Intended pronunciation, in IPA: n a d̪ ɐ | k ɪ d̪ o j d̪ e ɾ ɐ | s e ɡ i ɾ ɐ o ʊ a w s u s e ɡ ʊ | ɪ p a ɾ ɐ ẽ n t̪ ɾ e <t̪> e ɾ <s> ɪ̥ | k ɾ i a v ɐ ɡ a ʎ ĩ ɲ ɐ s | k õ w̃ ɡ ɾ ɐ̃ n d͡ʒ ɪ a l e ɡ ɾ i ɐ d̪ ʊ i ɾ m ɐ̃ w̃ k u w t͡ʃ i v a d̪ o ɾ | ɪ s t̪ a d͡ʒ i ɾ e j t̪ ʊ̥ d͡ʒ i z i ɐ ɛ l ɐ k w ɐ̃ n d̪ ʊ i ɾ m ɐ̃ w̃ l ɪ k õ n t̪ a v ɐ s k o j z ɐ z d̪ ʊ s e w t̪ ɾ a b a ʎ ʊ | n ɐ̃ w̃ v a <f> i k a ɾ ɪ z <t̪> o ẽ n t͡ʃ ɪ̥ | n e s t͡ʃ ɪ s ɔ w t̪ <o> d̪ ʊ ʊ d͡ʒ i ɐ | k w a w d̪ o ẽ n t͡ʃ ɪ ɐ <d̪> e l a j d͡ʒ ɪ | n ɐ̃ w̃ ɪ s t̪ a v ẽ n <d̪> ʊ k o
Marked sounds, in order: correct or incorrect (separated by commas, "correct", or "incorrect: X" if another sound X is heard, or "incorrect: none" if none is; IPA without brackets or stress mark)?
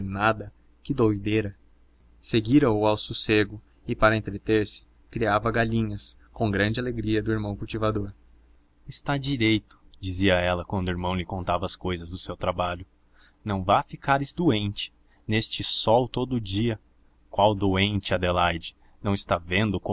correct, correct, correct, incorrect: d̪, correct, correct, correct